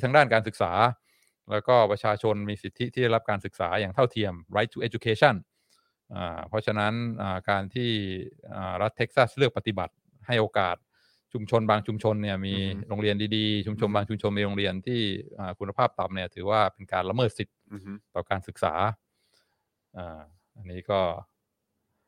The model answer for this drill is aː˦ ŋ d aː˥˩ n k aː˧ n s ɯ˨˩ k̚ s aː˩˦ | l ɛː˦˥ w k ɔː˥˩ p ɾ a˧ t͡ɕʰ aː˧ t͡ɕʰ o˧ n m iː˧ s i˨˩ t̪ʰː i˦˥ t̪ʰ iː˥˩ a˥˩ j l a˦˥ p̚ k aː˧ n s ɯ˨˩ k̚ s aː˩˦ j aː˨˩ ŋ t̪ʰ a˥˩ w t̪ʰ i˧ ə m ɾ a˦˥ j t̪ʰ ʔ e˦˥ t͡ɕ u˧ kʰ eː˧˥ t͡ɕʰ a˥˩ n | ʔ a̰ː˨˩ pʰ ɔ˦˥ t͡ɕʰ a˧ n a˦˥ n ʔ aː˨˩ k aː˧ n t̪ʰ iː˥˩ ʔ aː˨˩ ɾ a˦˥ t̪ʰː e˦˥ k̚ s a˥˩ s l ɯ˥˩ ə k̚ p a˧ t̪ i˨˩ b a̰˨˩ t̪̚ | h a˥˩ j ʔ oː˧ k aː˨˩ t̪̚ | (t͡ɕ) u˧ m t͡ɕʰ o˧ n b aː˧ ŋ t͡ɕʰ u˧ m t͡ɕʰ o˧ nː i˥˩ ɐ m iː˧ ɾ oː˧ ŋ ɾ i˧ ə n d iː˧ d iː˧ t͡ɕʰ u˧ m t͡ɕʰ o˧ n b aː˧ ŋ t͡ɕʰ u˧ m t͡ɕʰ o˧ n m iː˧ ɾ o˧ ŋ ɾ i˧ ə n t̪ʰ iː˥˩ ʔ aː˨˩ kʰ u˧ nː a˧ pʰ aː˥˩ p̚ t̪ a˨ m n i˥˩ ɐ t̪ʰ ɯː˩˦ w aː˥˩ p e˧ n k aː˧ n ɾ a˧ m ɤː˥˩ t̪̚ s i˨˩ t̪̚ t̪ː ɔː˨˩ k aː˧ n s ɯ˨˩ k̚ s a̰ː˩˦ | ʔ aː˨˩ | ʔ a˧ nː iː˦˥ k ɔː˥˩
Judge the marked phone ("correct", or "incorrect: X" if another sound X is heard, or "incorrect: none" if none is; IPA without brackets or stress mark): incorrect: t͡ɕʰ